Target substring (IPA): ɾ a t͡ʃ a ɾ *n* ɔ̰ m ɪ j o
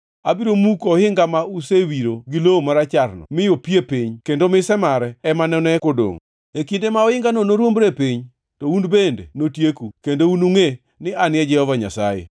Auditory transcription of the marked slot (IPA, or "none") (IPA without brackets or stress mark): n